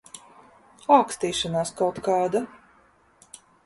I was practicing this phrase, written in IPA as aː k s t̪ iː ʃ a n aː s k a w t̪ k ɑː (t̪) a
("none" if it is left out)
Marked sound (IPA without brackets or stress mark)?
d̪